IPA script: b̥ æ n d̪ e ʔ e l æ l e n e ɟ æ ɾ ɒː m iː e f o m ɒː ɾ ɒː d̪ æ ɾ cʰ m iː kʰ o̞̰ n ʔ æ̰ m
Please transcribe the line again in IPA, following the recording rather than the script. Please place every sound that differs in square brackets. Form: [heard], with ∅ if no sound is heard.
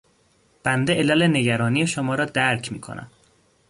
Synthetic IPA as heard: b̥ æ n d̪ e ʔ e l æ l e n e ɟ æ ɾ ɒː [n] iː e [ʃ] o m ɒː ɾ ɒː d̪ æ ɾ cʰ m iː kʰ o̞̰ n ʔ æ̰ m